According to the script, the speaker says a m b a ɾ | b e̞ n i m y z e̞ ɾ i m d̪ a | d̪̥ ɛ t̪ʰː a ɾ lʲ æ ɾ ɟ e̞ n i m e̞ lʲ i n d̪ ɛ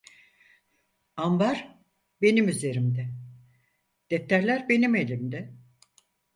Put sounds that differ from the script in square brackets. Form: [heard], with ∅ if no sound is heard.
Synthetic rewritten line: a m b a ɾ | b e̞ n i m y z e̞ ɾ i m d̪ [ɛ] | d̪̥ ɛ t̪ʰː [æ] ɾ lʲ æ ɾ [b] e̞ n i m e̞ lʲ i [m] d̪ ɛ

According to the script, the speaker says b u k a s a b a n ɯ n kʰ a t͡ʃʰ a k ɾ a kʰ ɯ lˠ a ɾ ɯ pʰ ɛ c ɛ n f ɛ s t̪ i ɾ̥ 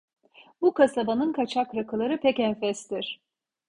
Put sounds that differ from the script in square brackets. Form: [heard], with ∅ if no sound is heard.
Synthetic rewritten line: b u k a s a b a n ɯ n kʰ a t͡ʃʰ a k ɾ a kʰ ɯ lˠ a ɾ ɯ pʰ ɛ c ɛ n f ɛ s t̪ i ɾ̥

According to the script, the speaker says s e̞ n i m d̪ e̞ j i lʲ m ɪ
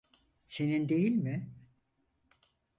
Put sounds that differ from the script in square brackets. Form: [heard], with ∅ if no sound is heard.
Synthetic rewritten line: s e̞ n i [n] d̪ e̞ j i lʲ m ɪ

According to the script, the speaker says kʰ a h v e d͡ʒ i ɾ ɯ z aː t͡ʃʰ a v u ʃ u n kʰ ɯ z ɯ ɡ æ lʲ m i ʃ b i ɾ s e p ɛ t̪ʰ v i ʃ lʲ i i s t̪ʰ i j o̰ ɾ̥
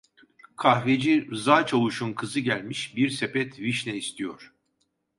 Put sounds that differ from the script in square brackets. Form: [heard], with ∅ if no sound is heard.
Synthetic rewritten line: kʰ a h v e d͡ʒ i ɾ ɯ z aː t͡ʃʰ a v u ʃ u n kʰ ɯ z ɯ [ɟ] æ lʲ m i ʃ b i ɾ s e p ɛ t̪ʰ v i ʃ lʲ [ɛ] i s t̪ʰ i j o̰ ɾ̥

